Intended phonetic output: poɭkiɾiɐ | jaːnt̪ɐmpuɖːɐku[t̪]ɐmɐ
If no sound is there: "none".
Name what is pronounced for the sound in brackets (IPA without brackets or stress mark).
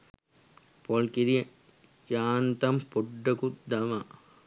d̪